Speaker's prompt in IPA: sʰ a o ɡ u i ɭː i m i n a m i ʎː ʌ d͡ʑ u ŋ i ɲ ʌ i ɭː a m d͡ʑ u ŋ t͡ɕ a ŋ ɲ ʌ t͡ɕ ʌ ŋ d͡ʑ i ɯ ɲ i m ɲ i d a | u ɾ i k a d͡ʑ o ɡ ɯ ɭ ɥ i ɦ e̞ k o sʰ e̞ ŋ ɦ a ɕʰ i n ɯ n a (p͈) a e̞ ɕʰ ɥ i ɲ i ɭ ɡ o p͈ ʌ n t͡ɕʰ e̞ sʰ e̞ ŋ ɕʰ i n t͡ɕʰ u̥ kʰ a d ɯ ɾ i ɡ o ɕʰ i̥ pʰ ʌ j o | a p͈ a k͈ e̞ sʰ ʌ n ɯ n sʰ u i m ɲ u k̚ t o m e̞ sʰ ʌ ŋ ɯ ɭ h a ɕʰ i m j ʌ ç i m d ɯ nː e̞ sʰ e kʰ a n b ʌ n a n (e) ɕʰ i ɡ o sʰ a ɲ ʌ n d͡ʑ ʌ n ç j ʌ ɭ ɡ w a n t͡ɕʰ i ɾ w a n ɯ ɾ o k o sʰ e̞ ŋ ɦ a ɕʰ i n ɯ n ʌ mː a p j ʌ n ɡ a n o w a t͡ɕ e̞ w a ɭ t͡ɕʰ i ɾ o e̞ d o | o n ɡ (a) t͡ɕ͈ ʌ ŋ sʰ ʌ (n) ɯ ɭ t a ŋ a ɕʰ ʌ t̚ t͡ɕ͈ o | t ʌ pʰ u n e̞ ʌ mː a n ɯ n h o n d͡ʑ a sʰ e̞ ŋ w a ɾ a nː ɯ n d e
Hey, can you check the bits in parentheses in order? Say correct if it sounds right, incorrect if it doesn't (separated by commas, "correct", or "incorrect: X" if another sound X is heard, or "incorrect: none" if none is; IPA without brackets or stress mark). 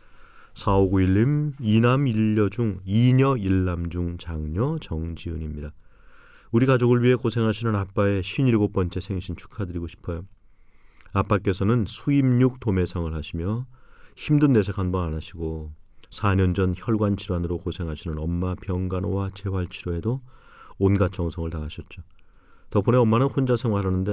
correct, incorrect: a, correct, incorrect: ŋ